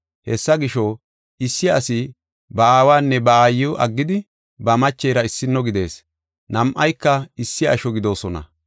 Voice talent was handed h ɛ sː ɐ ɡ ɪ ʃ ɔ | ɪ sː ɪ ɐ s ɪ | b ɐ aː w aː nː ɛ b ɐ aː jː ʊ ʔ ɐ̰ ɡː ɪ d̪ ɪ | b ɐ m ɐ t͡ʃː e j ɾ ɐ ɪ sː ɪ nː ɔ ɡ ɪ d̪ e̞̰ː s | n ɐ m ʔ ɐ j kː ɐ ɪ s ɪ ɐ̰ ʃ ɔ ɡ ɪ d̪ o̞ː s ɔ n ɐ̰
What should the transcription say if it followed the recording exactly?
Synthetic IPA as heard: h ɛ sː ɐ ɡ ɪ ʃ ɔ | ɪ sː ɪ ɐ s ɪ | b ɐ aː w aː nː ɛ b ɐ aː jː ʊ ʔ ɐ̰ ɡː ɪ d̪ ɪ | b ɐ m ɐ t͡ʃː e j ɾ ɐ ɪ sː ɪ nː ɔ ɡ ɪ d̪ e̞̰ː s | n ɐ m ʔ ɐ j kː ɐ ɪ sː ɪ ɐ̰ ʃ ɔ ɡ ɪ d̪ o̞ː s ɔ n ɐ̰